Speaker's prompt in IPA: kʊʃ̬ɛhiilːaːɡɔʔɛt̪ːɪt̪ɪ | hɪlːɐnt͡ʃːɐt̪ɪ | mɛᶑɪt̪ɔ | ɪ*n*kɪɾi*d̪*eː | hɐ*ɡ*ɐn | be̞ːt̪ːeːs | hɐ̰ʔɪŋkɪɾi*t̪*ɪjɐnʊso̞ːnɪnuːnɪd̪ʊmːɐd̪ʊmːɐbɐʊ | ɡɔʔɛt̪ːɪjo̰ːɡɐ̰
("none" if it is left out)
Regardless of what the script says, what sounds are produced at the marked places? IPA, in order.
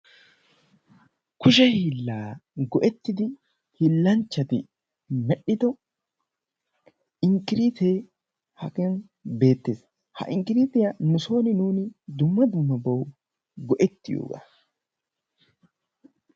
ŋ, t̪, k, t̪

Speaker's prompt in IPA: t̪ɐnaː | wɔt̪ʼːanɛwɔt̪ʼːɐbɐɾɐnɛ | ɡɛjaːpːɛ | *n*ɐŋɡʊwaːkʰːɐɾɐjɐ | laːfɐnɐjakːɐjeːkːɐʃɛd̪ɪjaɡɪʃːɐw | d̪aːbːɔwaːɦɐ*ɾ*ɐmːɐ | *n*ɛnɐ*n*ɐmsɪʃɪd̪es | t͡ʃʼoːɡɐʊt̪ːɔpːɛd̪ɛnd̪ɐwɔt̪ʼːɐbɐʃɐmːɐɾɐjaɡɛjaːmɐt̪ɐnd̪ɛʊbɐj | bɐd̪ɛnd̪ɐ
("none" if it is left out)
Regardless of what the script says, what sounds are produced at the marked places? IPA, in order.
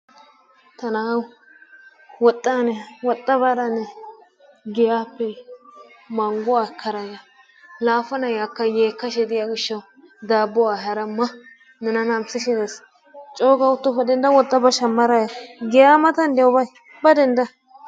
m, ɾ, n, n

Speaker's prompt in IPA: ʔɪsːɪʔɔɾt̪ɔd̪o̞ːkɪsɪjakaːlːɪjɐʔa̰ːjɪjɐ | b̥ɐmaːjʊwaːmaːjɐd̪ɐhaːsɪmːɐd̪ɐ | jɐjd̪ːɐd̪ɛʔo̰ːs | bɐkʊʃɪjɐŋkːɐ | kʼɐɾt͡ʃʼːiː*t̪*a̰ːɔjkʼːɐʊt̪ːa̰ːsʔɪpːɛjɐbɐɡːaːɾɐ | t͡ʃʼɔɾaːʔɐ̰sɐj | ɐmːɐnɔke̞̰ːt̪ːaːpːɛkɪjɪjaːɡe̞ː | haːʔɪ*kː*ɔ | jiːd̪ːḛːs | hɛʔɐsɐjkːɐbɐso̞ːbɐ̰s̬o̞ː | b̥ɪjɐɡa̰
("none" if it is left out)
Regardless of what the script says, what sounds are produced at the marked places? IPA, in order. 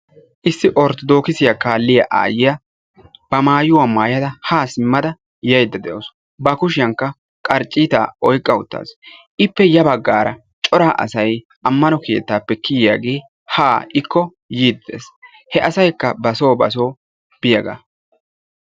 t̪, kː

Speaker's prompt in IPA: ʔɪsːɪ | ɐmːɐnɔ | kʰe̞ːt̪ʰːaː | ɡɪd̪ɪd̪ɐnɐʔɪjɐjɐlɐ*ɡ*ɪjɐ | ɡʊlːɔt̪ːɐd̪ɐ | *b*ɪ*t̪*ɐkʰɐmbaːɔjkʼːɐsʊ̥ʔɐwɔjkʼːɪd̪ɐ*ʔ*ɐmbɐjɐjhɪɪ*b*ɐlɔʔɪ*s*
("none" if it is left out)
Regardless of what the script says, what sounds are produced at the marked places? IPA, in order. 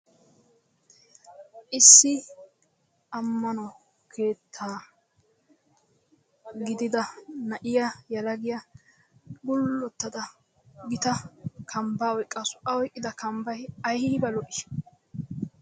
ɡ, ɡ, t̪, k, b, ʃ

